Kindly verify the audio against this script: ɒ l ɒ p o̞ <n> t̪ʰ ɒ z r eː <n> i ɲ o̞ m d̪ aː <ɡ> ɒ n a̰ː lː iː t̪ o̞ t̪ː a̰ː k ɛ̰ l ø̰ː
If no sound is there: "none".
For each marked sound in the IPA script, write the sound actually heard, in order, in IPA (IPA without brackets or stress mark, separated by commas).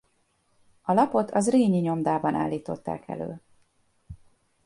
none, ɲ, b